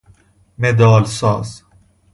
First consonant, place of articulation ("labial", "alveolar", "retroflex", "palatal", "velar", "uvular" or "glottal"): labial